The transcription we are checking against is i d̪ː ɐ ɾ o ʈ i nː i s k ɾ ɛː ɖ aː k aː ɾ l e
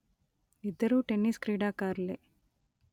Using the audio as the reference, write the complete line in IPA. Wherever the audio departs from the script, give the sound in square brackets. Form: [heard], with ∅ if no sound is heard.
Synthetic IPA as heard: i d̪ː ɐ ɾ [u] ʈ [e] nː i s k ɾ [iː] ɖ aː k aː ɾ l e